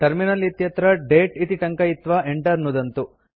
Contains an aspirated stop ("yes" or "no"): no